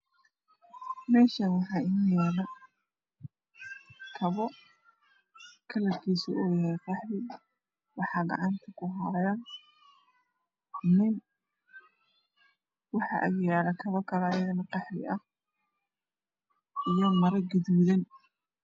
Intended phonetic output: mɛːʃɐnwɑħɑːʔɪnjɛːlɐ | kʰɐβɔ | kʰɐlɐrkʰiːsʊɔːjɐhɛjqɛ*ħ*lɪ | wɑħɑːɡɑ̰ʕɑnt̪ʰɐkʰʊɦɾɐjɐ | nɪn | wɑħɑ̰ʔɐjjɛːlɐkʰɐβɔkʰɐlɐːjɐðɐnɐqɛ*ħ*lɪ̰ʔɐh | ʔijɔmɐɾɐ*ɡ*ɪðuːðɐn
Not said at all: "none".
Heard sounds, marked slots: ħ, ħ, ɡ

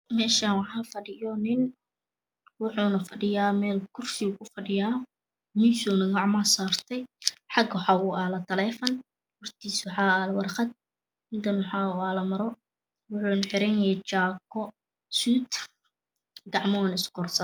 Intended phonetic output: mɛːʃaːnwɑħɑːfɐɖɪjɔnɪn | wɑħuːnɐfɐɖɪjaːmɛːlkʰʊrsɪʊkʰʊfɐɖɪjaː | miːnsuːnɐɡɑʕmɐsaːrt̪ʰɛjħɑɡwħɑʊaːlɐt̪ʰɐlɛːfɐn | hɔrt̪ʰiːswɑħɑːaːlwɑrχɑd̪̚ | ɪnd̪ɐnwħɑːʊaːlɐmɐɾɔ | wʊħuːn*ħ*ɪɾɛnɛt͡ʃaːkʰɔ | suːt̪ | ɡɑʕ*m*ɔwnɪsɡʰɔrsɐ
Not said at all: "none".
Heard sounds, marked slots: ħ, m

